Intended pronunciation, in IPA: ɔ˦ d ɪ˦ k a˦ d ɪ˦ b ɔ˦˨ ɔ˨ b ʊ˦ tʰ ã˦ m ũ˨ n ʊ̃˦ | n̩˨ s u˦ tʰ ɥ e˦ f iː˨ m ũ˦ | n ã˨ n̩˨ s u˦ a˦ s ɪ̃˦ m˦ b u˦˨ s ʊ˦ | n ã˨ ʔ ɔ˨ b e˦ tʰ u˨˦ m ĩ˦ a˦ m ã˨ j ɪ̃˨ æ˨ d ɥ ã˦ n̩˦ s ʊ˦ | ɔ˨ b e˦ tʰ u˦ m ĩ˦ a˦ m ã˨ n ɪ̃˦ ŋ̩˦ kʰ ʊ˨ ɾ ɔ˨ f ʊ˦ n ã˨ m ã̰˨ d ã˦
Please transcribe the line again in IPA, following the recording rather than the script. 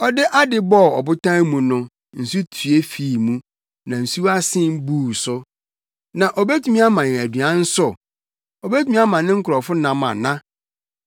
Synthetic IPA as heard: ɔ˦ d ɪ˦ ʔ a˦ d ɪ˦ b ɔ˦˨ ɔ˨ b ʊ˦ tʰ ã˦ m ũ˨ n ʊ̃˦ | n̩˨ s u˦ tʰ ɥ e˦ f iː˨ m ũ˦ | n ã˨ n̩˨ s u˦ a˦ s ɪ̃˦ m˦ b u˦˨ s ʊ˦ | n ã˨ ʔ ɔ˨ b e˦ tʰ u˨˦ m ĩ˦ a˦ m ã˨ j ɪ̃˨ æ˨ d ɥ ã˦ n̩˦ s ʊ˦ | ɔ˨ b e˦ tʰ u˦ m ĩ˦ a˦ m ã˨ n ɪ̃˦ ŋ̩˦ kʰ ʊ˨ ɾ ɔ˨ f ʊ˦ n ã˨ m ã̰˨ n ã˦

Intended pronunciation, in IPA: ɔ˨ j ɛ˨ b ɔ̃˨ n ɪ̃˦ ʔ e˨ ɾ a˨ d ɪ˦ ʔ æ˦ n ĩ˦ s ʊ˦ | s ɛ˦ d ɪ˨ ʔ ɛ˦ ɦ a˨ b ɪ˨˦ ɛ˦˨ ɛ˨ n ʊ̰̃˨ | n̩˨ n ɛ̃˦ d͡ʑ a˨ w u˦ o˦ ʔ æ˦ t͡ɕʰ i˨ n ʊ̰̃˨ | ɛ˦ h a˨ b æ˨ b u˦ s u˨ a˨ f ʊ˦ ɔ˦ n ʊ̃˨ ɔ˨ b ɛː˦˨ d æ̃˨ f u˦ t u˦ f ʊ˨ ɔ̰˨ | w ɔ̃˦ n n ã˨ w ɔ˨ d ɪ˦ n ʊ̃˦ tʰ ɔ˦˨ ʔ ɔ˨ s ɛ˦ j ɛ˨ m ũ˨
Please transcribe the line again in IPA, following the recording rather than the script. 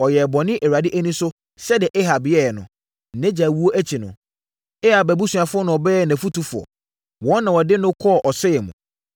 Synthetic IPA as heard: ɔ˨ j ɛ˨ b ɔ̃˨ n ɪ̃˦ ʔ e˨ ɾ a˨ d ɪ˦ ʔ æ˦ n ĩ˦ s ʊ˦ | s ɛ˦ d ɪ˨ ʔ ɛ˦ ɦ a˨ b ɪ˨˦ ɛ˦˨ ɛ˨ n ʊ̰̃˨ | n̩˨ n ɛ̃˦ d͡ʑ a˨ w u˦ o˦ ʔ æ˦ t͡ɕʰ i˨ n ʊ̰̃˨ | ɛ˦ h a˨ b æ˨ b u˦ s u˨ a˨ f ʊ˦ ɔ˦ n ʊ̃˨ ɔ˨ b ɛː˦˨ n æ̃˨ f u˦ t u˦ f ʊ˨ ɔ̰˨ | w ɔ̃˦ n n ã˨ w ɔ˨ d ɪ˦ n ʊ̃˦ kʰ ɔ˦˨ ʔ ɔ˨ s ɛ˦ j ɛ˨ m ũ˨

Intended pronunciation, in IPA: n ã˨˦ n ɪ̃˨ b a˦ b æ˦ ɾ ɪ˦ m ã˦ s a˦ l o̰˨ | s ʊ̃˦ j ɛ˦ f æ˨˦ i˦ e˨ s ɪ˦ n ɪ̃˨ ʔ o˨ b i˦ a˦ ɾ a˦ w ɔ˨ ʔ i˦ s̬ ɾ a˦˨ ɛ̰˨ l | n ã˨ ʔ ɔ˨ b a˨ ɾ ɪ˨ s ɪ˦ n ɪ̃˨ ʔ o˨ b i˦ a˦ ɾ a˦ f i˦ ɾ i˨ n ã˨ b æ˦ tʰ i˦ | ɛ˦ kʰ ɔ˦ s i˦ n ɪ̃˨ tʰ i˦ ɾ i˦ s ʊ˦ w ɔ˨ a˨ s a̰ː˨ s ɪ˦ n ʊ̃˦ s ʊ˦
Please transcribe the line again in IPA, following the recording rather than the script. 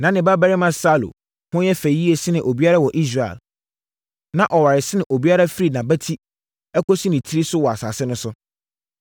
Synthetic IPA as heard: n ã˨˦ n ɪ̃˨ b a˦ b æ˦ ɾ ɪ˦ m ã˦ s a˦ l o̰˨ | h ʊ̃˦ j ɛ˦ f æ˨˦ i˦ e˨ s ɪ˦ n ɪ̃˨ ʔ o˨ b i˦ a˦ ɾ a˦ w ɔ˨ ʔ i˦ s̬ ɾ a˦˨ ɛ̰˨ l | n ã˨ ʔ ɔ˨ w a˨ ɾ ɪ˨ s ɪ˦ n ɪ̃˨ ʔ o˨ b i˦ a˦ ɾ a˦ f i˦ ɾ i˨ n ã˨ b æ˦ tʰ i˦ | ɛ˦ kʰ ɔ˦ s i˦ n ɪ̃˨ tʰ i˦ ɾ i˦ s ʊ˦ w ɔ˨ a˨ s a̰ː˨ s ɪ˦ n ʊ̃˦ s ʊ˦

